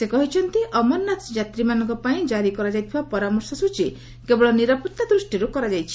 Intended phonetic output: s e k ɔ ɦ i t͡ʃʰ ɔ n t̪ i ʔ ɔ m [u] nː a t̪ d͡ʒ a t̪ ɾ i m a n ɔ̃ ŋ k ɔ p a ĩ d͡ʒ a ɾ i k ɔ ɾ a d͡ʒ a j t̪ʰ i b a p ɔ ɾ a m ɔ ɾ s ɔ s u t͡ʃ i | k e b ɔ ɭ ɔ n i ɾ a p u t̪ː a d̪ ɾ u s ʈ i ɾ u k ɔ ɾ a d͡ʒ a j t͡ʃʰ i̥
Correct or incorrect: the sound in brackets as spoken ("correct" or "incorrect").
incorrect